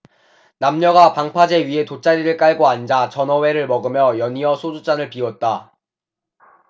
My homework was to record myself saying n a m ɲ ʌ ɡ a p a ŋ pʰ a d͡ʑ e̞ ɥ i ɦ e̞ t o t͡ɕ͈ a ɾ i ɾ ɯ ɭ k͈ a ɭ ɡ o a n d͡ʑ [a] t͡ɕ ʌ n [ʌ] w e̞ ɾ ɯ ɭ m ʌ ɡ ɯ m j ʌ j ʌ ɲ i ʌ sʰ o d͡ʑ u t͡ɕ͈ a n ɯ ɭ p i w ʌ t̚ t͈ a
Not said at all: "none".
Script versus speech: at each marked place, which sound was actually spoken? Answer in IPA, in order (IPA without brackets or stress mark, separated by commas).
a, ʌ